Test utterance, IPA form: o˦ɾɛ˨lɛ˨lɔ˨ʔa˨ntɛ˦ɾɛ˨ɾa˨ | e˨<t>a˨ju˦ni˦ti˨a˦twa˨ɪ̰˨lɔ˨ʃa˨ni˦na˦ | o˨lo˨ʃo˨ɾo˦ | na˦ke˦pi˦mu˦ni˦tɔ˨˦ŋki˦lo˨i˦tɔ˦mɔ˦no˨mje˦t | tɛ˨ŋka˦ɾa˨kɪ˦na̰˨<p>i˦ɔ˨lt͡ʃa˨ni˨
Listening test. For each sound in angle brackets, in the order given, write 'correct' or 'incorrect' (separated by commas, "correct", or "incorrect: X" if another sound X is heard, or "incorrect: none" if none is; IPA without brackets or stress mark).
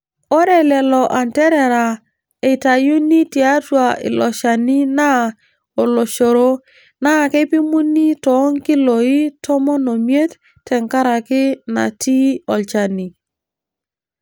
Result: correct, incorrect: t